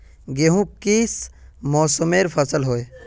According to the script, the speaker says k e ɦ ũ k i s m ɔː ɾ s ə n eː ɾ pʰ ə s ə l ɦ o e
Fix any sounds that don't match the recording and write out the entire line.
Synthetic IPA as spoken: ɡ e ɦ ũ k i s m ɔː s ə m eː ɾ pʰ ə s ə l ɦ o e